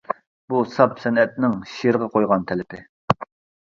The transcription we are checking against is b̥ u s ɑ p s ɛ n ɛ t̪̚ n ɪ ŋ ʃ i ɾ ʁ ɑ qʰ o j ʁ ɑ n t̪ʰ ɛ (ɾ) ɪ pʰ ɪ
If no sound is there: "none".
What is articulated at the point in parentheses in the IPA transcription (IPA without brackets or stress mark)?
l